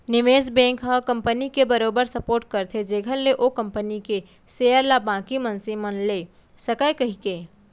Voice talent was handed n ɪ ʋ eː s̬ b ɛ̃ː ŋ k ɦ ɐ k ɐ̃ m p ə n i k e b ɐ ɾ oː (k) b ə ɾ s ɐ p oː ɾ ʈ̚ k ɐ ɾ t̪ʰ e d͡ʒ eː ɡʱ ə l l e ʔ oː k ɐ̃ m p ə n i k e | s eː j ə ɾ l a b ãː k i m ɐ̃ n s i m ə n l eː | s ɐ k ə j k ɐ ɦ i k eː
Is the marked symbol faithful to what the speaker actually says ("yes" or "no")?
no